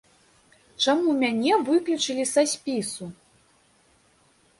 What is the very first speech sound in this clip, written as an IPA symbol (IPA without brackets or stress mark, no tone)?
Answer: t͡ʂ